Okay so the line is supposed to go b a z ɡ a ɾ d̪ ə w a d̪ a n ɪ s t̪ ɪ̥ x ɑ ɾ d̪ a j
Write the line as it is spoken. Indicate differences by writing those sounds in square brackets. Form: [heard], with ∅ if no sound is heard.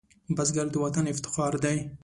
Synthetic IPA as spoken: b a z ɡ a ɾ d̪ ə w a [t̪] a n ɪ [f] t̪ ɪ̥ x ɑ ɾ d̪ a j